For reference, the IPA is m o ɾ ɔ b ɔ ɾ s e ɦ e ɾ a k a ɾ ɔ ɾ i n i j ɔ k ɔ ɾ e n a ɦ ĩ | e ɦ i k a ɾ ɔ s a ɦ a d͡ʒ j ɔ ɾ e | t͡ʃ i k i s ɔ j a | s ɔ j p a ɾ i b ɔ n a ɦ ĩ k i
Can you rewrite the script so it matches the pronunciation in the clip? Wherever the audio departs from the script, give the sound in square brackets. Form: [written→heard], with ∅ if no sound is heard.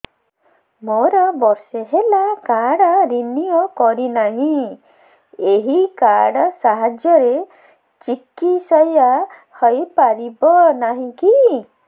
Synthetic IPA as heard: m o ɾ ɔ b ɔ ɾ s e ɦ e [ɾ→l] a k a [ɾ→ɽ] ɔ ɾ i n i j ɔ k ɔ ɾ [e→i] n a ɦ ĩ | e ɦ i k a [ɾ→ɽ] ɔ s a ɦ a d͡ʒ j ɔ ɾ e | t͡ʃ i k i s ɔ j a | [s→h] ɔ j p a ɾ i b ɔ n a ɦ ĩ k i